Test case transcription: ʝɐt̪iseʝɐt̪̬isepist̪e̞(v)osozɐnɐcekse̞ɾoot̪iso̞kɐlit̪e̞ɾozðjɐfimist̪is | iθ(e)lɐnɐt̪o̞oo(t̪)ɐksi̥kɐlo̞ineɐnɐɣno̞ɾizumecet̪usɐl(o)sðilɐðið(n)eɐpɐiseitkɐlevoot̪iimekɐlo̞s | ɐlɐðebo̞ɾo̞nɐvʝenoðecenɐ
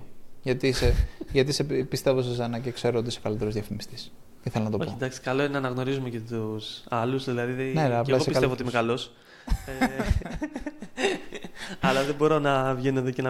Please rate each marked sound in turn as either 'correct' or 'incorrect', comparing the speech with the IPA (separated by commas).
correct, correct, incorrect, incorrect, correct